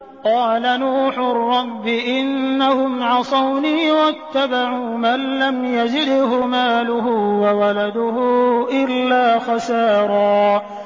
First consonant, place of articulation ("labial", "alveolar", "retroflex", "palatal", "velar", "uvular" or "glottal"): uvular